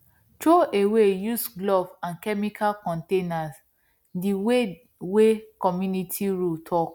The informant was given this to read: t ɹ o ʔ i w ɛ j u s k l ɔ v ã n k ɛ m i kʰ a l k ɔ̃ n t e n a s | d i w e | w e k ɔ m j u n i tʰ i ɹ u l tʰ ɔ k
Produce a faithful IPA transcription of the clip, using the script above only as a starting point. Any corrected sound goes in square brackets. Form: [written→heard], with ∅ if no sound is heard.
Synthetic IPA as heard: t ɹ o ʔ [i→e] w [ɛ→e] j u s [k→ɡ] l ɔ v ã n k ɛ m i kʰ a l k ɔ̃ n t e n a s | d i w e | w e k ɔ m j u n i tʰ i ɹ u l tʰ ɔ k